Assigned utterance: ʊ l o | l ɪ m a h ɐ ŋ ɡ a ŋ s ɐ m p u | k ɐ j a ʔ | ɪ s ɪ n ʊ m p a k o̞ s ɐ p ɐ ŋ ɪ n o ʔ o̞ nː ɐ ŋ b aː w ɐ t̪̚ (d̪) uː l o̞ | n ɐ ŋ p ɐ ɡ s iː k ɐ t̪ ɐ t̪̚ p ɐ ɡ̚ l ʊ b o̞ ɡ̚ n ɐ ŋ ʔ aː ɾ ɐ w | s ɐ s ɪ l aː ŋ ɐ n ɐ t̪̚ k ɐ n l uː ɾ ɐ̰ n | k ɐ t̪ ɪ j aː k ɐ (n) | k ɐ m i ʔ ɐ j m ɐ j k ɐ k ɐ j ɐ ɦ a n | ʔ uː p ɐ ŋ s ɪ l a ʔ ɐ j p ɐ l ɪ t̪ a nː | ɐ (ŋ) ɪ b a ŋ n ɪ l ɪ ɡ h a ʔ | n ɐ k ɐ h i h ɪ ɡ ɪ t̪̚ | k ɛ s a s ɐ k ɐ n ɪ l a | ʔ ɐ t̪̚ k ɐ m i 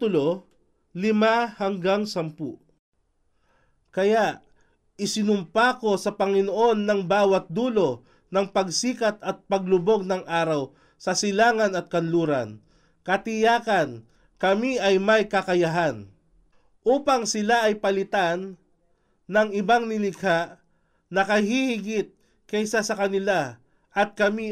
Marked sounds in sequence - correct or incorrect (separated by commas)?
correct, correct, correct